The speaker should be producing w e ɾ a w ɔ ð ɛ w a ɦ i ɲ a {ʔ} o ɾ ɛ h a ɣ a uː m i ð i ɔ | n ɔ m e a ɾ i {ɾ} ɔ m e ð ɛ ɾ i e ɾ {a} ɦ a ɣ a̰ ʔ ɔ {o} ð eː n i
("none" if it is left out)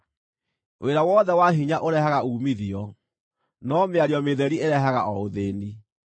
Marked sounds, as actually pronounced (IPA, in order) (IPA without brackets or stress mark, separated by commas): ʔ, none, ɛ, o